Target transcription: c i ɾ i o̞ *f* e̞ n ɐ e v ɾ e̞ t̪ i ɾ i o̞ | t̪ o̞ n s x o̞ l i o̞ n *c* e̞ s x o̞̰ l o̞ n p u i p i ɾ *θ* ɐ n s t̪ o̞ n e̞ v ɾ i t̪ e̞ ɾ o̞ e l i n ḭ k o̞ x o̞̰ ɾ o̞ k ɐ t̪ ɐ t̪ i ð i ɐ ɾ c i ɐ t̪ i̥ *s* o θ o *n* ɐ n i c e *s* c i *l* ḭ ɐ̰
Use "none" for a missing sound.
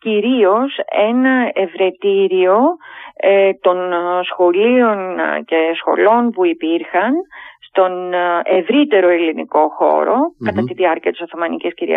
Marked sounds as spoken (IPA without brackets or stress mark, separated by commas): s, c, x, s, m, s, ɾ